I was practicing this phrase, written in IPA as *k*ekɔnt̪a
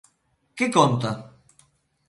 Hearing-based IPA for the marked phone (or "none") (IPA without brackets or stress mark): k